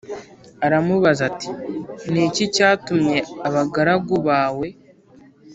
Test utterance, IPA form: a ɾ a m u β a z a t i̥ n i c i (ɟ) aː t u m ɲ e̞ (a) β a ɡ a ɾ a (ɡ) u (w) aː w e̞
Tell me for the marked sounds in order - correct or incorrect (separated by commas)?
incorrect, correct, correct, incorrect